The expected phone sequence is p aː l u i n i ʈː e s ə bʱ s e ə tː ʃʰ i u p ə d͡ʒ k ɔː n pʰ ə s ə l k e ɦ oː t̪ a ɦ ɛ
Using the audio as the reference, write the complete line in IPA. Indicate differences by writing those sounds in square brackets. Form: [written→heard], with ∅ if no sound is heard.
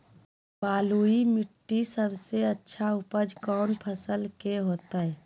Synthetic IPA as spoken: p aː l u i [n→m] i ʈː [e→i] s ə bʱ s e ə tː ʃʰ [i→a] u p ə d͡ʒ k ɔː n pʰ ə s ə l k e ɦ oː t̪ a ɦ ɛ